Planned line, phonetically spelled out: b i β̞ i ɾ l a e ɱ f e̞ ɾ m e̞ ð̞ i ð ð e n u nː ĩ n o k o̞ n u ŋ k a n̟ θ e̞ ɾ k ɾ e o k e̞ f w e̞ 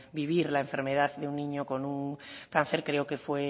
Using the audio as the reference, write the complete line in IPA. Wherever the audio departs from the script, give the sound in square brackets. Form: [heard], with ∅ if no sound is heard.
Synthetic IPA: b i β̞ i ɾ l a e ɱ f e̞ ɾ m e̞ ð̞ [a] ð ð e [∅] u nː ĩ [ɲ] o k o̞ n u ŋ k a n̟ θ e̞ ɾ k ɾ e o k e̞ f w e̞